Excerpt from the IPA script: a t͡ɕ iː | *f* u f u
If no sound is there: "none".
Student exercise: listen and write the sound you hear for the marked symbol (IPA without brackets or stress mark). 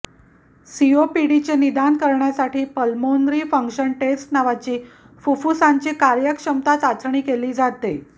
f